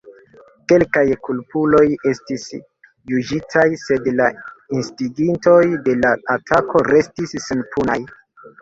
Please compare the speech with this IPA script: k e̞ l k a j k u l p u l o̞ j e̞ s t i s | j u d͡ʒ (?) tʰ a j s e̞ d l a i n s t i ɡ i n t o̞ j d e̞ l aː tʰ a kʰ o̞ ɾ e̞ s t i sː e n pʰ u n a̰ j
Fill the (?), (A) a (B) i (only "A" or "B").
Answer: B